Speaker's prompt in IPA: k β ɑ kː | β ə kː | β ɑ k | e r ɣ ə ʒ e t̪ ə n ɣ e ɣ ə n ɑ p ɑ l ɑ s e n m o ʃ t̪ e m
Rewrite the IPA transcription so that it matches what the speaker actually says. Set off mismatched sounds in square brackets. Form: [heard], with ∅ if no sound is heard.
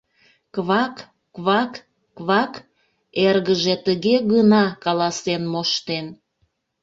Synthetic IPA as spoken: k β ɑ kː | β [ɑ] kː | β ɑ k | e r ɣ ə ʒ e t̪ ə [∅] ɣ e ɣ ə n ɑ [k] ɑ l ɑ s e n m o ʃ t̪ e [n]